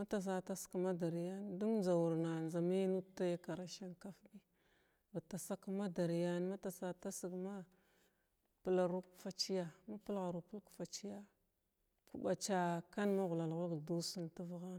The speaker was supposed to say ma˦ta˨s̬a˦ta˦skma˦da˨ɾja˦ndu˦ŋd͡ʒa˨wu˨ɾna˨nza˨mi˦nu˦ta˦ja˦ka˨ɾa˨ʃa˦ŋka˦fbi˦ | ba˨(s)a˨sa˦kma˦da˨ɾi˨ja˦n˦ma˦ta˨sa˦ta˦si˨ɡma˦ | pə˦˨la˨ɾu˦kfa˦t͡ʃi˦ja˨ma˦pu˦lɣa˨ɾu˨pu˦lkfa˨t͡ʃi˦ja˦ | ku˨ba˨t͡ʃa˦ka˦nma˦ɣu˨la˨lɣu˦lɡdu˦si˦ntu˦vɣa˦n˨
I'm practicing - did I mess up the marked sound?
yes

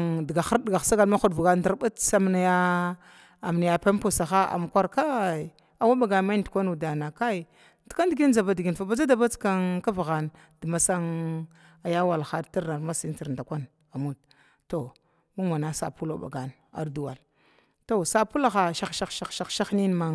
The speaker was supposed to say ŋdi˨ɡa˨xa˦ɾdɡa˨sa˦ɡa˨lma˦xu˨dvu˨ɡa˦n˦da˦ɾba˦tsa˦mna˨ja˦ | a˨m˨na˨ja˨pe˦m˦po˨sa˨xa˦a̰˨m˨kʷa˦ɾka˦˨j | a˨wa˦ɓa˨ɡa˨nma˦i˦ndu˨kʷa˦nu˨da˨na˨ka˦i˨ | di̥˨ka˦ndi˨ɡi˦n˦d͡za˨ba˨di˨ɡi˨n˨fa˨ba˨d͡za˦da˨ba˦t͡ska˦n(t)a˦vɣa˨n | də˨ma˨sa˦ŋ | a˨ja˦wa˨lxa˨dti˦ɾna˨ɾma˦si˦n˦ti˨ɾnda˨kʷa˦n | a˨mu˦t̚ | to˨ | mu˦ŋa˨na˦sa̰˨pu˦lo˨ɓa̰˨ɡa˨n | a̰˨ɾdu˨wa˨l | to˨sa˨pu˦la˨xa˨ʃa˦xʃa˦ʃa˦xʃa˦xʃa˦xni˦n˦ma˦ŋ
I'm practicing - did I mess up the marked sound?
yes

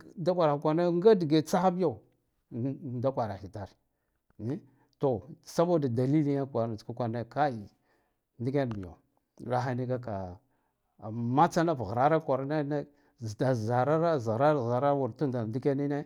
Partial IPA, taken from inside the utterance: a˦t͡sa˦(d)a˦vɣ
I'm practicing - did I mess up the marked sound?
yes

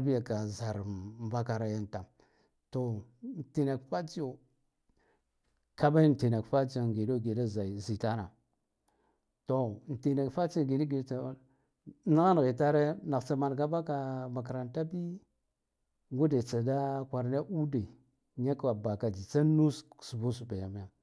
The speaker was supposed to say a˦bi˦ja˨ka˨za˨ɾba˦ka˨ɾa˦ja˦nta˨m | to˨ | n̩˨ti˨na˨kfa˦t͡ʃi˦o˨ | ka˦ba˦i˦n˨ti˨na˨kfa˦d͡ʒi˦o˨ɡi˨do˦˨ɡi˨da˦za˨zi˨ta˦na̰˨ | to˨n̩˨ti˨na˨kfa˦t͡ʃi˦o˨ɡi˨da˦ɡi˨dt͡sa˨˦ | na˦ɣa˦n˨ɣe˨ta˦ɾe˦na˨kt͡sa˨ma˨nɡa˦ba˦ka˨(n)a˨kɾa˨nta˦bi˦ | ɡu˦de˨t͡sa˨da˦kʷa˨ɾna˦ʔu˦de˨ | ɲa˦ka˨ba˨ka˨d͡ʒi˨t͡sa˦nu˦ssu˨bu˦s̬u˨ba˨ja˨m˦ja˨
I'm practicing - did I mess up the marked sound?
yes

